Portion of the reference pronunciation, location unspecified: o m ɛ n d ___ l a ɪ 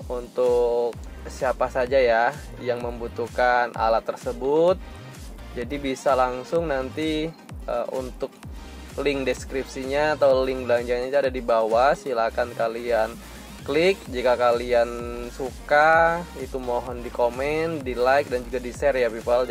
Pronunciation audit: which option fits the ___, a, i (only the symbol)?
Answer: i